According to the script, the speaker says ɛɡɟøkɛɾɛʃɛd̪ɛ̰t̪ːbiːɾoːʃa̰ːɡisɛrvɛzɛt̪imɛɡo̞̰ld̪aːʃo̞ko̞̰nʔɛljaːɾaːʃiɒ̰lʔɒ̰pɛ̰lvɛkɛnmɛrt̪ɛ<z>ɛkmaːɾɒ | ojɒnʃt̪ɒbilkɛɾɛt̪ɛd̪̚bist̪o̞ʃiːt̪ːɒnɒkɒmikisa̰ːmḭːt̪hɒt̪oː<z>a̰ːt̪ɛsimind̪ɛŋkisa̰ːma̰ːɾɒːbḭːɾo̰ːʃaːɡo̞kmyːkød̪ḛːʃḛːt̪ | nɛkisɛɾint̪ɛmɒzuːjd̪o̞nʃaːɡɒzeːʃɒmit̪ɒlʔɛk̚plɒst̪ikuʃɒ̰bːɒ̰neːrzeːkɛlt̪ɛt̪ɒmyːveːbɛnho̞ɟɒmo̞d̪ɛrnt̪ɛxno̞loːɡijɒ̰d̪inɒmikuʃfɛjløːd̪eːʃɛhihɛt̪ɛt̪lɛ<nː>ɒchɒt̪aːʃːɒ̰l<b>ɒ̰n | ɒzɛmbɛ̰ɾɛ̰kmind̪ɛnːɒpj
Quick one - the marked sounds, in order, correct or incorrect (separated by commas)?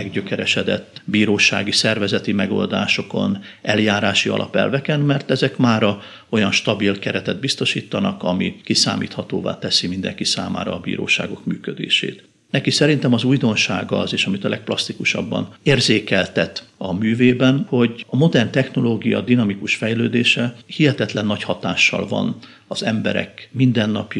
correct, incorrect, correct, incorrect